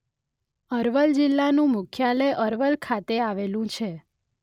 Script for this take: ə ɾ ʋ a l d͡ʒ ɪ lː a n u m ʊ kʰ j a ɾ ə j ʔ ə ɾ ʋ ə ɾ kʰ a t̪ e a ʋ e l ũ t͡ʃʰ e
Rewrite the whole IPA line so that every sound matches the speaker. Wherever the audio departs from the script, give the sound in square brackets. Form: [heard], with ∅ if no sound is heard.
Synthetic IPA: ə ɾ ʋ [ə] l d͡ʒ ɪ lː a n [ũ] m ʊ kʰ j a [l] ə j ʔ ə ɾ ʋ ə [l] kʰ a t̪ e a ʋ e l ũ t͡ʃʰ e